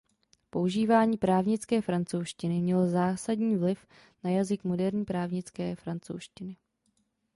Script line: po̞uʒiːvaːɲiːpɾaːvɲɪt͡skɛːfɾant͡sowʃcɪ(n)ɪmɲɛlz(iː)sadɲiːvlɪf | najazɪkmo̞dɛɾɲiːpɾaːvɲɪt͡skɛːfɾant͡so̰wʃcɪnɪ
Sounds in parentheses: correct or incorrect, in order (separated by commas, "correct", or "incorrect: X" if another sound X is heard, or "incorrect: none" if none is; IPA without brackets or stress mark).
correct, incorrect: aː